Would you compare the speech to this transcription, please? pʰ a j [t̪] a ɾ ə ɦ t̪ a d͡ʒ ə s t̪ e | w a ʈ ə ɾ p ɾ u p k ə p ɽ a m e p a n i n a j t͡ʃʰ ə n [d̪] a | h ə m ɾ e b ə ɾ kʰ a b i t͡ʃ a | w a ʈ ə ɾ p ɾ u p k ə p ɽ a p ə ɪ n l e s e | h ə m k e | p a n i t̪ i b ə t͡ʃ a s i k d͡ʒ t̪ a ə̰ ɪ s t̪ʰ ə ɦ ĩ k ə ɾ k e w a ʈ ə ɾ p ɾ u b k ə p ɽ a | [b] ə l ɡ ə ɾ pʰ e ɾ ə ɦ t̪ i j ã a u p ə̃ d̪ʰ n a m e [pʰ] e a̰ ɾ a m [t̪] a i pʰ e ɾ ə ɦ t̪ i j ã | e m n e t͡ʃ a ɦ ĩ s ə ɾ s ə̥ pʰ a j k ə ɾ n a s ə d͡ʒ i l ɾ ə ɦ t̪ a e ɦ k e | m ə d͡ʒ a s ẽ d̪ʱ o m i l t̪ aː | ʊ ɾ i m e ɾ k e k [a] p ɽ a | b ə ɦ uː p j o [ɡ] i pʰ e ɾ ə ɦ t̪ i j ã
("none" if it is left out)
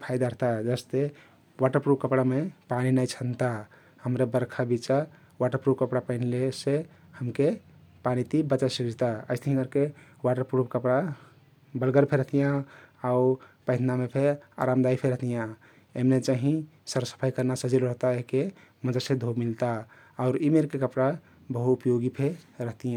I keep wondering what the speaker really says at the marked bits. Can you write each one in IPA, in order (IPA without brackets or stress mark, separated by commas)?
d̪, t̪, b, pʰ, d̪, ə, ɡ